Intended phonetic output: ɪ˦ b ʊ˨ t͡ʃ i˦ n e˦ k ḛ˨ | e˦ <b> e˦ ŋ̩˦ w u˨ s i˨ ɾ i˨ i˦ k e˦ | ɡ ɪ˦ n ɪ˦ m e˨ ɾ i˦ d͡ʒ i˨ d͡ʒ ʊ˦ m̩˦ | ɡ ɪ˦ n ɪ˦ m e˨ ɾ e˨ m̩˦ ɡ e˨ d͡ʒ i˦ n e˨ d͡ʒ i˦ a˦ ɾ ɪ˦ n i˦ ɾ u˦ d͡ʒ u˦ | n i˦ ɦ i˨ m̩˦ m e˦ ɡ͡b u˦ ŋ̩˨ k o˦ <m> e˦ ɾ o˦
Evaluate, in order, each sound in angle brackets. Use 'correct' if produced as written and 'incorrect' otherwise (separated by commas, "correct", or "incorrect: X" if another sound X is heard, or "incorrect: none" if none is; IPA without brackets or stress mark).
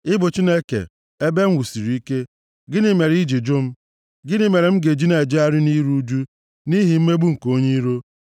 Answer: correct, incorrect: ɲ